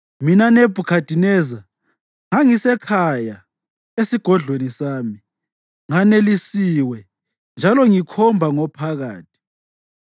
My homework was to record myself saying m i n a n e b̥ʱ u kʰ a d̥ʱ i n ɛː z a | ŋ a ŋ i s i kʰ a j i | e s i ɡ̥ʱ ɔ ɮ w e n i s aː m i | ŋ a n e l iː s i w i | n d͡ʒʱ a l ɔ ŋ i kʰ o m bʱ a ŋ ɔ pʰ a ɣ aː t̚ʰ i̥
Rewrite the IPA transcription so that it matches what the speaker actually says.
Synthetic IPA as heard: m i n a n e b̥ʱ u kʰ a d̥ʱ i n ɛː z a | ŋ a ŋ i s ɛ kʰ a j a | e s i ɡ̥ʱ ɔ ɮ w e n i s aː m i | ŋ a n e l i s i w ɛ | n d͡ʒʱ a l ɔ ŋ i kʰ ɔ m bʱ a ŋ ɔ pʰ a ɣ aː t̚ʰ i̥